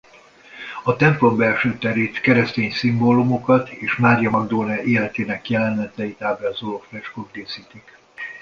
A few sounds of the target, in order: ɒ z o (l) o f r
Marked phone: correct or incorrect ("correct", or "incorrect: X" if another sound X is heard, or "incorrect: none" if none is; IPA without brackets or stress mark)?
correct